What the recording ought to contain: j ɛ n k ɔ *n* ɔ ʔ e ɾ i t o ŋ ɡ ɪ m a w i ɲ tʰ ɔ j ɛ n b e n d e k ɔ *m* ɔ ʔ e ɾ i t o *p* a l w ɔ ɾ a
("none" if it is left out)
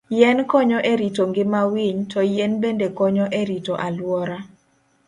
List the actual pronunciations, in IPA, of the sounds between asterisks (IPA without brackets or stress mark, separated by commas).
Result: ɲ, ɲ, ʔ